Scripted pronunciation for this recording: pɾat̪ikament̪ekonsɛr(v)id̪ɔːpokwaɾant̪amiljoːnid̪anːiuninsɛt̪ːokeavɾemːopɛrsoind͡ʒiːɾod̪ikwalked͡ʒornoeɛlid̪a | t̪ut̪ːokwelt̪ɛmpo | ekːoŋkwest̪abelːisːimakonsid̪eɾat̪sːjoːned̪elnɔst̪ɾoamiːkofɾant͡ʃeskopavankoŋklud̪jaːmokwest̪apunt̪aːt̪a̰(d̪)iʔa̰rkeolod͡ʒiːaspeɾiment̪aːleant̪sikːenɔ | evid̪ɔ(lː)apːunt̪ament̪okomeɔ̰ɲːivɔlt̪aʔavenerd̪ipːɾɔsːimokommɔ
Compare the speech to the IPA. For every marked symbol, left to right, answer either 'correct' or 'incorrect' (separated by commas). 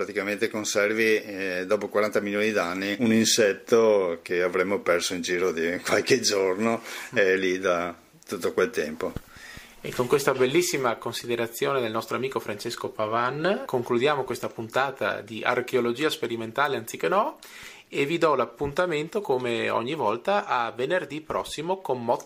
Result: correct, correct, incorrect